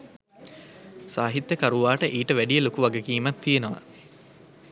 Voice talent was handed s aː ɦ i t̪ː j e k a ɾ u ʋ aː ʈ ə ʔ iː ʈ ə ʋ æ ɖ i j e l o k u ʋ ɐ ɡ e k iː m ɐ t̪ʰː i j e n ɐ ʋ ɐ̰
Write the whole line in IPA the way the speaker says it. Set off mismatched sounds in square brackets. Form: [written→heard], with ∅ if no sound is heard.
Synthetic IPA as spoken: s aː ɦ i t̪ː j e k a ɾ u ʋ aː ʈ ə ʔ iː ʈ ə ʋ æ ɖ i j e l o k u ʋ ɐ ɡ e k iː m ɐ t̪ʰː i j e n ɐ ʋ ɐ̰